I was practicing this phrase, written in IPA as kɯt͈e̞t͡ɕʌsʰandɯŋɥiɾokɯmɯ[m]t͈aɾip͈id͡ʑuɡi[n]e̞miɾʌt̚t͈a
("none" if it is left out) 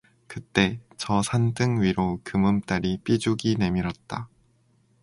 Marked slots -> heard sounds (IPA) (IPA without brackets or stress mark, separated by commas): m, n